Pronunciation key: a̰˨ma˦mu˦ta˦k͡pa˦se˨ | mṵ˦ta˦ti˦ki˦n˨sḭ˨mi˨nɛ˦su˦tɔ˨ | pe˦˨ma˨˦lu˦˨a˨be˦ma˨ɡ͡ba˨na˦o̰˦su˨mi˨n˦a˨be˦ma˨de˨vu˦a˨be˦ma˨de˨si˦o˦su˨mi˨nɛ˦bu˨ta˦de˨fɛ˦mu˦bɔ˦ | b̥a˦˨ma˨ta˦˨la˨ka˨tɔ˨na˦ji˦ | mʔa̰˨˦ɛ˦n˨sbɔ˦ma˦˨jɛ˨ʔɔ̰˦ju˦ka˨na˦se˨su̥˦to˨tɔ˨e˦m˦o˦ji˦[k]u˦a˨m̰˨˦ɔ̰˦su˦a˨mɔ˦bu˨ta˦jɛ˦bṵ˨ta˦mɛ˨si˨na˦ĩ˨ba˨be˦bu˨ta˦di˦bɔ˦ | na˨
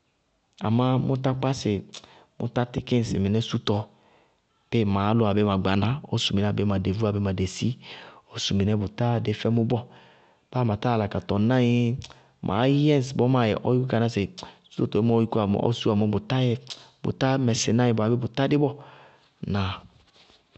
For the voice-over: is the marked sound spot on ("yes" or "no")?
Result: yes